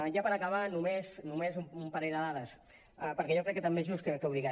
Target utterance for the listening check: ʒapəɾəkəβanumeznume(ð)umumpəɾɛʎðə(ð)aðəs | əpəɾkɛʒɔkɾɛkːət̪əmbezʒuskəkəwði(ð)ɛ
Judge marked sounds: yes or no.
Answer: no, yes, no

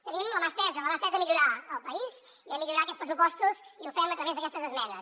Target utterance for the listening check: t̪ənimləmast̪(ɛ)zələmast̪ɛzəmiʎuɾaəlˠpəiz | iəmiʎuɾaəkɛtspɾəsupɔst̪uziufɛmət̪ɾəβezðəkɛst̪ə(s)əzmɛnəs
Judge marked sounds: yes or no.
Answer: yes, no

